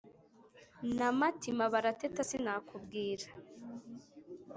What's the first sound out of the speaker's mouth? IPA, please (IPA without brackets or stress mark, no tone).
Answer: n